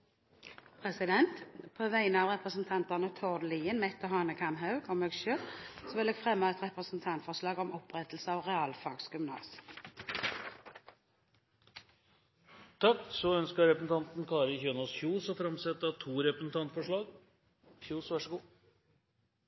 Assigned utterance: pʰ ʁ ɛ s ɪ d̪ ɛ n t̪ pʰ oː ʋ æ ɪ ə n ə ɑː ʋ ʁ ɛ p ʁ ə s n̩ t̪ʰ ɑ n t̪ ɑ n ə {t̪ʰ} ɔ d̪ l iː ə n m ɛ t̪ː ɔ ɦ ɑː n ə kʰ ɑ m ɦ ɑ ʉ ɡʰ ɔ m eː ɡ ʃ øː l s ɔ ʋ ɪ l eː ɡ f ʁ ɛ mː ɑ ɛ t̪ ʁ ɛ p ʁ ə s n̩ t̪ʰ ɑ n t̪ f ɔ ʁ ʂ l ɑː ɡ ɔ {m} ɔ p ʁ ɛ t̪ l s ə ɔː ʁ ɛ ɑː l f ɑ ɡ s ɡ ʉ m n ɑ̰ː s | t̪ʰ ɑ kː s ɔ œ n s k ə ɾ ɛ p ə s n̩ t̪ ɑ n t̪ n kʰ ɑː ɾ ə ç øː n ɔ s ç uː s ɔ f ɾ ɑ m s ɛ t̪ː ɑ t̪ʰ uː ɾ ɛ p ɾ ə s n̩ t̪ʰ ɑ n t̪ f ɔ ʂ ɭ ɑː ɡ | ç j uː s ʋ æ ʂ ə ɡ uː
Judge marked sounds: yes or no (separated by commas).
yes, yes